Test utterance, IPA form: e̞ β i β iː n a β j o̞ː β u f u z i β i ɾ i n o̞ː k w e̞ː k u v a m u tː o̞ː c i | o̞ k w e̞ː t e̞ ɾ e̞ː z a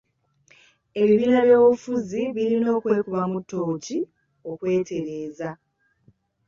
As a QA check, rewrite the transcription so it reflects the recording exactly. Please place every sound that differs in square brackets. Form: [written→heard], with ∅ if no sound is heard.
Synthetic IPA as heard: e̞ β i β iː n a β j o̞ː β u f u z i β i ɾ i n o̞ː k w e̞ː k u [v→β] a m u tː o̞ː c i | o̞ k w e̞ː t e̞ ɾ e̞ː z a